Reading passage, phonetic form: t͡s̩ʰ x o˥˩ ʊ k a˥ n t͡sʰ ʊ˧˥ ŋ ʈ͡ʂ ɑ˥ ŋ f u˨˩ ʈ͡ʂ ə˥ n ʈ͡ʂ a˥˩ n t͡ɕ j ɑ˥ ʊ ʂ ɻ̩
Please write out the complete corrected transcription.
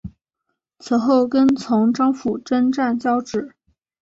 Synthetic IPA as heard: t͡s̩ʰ x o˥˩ ʊ k ə˥ n t͡sʰ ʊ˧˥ ŋ ʈ͡ʂ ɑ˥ ŋ f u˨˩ ʈ͡ʂ ə˥ n ʈ͡ʂ a˥˩ n t͡ɕ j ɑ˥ ʊ ʈ͡ʂ ɻ̩